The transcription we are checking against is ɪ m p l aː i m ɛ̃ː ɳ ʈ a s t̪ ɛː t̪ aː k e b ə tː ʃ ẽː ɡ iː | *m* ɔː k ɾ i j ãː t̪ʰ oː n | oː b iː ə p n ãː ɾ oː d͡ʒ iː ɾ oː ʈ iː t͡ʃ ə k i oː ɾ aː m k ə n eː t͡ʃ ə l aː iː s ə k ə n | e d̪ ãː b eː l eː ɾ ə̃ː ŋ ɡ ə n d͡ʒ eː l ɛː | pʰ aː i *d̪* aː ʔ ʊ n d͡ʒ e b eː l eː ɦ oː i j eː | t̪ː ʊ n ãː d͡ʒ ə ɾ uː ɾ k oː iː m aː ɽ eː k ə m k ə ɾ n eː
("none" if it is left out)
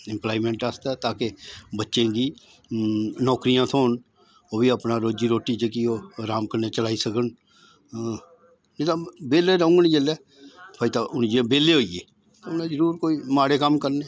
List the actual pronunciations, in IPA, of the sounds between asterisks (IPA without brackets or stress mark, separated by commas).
n, t̪